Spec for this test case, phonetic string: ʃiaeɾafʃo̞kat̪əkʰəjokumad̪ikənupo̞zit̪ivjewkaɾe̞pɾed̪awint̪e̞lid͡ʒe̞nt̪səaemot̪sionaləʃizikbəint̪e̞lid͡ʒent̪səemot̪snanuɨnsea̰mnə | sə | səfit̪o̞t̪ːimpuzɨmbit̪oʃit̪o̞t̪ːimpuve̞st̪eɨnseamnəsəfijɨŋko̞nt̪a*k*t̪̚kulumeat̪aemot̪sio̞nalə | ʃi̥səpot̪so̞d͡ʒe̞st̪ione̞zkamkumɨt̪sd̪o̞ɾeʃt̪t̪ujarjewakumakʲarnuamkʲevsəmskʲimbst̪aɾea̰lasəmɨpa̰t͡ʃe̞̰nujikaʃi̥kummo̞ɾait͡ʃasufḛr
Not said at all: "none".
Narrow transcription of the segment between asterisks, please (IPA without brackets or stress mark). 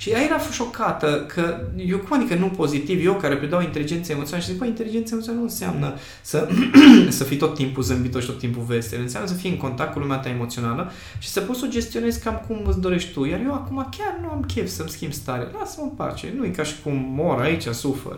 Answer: k